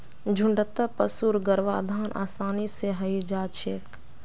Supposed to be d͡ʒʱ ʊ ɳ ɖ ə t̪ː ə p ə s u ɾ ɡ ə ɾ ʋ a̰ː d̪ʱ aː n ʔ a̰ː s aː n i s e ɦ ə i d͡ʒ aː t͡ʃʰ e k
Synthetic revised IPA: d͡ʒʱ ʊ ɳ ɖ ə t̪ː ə p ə s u ɾ ɡ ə ɾ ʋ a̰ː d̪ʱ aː n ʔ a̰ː s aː n i s e ɦ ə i d͡ʒ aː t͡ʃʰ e k